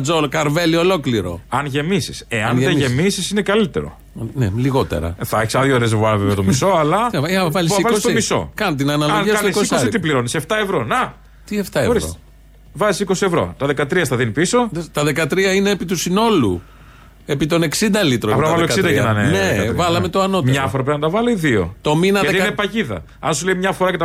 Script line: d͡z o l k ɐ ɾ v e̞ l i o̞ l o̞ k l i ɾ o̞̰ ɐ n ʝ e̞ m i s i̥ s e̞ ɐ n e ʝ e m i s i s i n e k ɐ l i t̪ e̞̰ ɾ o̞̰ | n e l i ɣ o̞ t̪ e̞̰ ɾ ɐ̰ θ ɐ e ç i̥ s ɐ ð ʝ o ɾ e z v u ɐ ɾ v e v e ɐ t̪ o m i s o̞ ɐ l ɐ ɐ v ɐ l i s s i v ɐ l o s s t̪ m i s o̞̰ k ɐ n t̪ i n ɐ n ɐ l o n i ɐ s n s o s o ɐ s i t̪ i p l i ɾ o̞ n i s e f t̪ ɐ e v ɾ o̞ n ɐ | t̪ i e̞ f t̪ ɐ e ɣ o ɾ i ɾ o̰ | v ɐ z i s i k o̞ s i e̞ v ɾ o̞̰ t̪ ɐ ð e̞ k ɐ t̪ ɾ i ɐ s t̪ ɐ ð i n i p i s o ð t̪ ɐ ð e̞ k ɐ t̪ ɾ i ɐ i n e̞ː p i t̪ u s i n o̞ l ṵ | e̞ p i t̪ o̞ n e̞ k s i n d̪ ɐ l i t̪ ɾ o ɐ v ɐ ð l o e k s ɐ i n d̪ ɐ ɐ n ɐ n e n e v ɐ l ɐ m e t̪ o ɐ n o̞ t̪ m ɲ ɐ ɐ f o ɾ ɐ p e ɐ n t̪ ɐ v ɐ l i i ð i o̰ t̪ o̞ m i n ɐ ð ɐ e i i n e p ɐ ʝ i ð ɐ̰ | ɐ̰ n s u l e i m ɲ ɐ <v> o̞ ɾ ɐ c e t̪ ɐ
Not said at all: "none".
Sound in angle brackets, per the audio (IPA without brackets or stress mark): f